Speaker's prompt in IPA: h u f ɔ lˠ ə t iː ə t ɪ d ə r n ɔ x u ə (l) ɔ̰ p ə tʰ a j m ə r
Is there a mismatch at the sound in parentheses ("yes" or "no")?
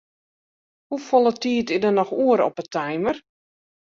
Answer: yes